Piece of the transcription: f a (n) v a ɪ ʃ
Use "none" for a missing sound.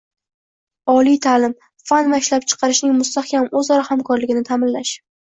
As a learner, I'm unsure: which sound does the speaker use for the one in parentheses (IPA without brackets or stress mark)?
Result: n